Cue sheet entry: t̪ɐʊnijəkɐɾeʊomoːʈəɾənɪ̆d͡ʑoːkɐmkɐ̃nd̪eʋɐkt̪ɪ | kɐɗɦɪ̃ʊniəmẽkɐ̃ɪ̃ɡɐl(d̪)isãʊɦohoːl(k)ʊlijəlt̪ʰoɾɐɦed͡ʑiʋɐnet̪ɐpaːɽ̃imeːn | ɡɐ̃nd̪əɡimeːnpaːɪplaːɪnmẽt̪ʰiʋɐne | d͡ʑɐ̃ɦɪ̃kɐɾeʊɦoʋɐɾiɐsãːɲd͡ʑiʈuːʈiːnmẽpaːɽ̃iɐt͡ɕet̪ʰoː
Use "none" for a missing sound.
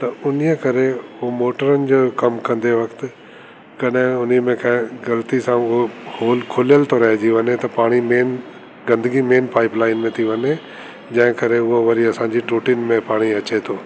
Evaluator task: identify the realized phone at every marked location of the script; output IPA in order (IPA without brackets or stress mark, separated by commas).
t̪, kʰ